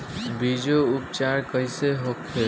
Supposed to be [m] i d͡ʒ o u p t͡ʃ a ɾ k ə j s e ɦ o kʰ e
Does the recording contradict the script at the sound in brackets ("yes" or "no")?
yes